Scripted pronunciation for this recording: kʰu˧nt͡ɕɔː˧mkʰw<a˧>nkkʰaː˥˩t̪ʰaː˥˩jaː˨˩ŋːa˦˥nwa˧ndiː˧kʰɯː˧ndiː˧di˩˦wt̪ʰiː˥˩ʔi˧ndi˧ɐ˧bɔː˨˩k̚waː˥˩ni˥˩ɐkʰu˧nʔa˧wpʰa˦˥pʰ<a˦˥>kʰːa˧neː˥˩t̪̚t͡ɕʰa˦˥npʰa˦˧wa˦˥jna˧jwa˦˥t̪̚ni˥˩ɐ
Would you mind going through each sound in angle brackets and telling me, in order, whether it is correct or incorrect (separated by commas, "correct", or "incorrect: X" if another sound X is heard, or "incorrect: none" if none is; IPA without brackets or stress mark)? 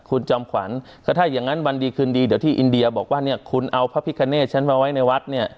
incorrect: a˩˦, incorrect: i˦˥